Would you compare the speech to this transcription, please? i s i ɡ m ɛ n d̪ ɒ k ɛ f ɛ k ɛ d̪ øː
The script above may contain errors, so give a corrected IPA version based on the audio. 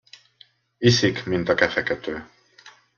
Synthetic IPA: i s i k m i n t̪ ɒ k ɛ f ɛ k ɛ t̪ øː

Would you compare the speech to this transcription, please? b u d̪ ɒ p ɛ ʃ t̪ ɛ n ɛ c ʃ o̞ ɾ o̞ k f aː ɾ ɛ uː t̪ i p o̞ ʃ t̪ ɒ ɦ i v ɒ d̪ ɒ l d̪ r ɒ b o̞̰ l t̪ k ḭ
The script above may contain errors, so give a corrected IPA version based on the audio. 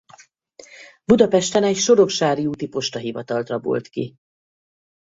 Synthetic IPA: b u d̪ ɒ p ɛ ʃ t̪ ɛ n ɛ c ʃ o̞ ɾ o̞ k ʃ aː ɾ i uː t̪ i p o̞ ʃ t̪ ɒ ɦ i v ɒ t̪ ɒ l t̪ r ɒ b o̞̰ l t̪ k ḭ

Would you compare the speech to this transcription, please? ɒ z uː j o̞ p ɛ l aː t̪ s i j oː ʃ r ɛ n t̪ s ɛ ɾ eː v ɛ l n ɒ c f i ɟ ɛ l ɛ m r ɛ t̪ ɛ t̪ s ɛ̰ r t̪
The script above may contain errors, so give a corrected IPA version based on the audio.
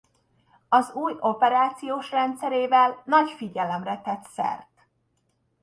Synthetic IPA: ɒ z uː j o̞ p ɛ ɾ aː t̪ s i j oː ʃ r ɛ n t̪ s ɛ ɾ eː v ɛ l n ɒ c f i ɟ ɛ l ɛ m r ɛ t̪ ɛ t̪ s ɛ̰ r t̪

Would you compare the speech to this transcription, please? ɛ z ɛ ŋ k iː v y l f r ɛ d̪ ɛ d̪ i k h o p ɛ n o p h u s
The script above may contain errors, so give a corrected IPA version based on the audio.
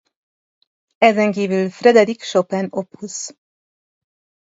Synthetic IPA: ɛ z ɛ ŋ k iː v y l f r ɛ d̪ ɛ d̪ i k ʃ o p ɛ n o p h u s

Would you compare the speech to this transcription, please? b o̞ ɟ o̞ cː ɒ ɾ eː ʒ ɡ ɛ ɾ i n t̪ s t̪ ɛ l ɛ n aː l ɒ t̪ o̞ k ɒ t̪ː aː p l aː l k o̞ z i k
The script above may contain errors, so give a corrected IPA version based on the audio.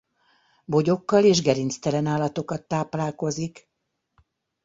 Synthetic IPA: b o̞ ɟ o̞ kː ɒ l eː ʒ ɡ ɛ ɾ i n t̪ s t̪ ɛ l ɛ n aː l ɒ t̪ o̞ k ɒ t̪ː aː p l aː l k o̞ z i k

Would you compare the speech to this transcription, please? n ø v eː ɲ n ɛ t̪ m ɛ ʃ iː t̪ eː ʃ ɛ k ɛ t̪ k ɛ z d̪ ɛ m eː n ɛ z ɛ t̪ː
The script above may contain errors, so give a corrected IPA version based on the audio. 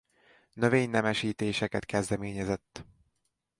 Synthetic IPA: n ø v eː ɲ n ɛ m ɛ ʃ iː t̪ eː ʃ ɛ k ɛ t̪ k ɛ z d̪ ɛ m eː ɲ ɛ z ɛ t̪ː

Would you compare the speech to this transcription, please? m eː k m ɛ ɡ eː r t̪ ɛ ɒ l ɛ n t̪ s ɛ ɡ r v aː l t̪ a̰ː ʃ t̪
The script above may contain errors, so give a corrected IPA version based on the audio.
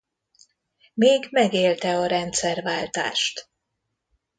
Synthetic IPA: m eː ɡ m ɛ ɡ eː l t̪ ɛ ɒ ɾ ɛ n t̪ s ɛ r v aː l t̪ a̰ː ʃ t̪

